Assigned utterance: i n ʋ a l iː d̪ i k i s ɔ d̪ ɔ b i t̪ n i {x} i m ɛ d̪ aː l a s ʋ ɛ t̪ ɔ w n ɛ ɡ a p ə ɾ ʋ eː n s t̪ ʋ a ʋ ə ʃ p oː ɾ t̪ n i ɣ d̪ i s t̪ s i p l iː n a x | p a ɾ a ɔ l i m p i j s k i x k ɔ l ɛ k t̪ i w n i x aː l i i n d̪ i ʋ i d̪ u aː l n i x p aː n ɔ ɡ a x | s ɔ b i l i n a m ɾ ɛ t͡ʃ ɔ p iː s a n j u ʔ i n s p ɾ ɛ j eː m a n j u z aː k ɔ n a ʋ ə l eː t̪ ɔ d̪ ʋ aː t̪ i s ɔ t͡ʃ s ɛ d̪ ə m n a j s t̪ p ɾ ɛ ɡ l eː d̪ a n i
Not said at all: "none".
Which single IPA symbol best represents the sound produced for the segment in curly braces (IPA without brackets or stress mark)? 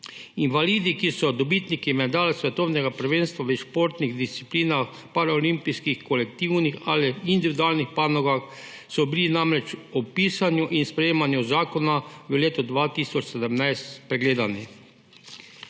k